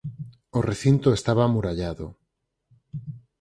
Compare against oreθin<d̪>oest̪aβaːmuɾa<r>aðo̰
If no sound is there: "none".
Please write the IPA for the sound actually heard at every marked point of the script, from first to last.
t̪, ʎ

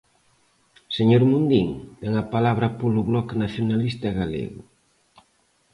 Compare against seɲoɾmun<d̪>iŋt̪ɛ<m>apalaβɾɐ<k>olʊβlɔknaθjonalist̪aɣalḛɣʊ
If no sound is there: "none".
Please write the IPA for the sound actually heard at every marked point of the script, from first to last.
d̪, ŋ, p

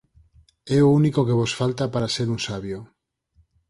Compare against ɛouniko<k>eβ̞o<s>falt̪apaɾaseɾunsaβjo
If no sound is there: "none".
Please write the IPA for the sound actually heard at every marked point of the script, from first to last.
k, s

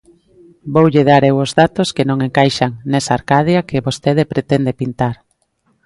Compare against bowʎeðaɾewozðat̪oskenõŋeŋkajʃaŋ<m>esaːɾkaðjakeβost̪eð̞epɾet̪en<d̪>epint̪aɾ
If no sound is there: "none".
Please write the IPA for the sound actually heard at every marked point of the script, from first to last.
n, d̪

